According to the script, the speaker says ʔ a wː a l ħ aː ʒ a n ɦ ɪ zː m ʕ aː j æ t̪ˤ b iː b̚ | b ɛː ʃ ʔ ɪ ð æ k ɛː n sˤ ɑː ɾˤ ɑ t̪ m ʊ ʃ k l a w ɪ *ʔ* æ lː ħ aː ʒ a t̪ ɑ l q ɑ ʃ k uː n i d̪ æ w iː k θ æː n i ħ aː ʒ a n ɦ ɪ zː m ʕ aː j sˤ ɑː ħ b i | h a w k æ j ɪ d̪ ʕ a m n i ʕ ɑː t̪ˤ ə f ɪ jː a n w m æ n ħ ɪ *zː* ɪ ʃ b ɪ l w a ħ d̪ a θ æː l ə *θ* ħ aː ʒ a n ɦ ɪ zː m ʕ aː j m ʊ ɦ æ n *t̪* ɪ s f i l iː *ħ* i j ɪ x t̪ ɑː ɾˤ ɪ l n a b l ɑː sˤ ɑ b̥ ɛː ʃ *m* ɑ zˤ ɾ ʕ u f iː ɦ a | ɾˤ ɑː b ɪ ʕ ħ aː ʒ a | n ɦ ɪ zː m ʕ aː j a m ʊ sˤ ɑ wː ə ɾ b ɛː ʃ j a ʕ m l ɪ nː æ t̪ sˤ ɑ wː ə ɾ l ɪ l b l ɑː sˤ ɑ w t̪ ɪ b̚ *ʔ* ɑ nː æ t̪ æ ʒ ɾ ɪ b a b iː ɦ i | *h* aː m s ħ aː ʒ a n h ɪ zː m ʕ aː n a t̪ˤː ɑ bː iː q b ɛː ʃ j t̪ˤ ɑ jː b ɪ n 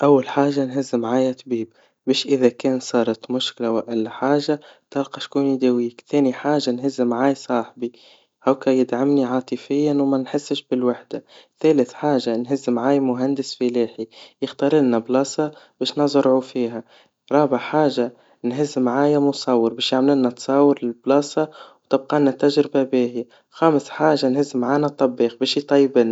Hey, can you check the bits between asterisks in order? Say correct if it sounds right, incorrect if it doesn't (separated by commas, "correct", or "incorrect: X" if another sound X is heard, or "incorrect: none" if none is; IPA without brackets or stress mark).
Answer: correct, incorrect: sː, correct, incorrect: d̪, correct, incorrect: n, incorrect: q, incorrect: x